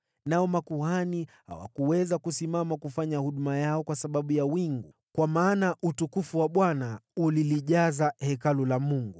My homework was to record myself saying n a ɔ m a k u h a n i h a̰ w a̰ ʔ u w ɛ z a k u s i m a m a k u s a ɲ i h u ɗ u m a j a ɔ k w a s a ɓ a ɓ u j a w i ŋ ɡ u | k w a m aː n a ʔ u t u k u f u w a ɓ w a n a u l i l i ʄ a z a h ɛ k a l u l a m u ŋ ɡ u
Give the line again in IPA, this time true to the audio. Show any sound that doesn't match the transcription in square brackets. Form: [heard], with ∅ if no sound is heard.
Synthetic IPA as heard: n a ɔ m a k u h a n i h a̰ w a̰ [k] u w ɛ z a k u s i m a m a k u [f] a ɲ [a] h u ɗ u m a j a ɔ k w a s a ɓ a ɓ u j a w i ŋ ɡ u | k w a m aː n a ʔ u t u k u f u w a ɓ w a n a u l i l i ʄ a z a h ɛ k a l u l a m u ŋ ɡ u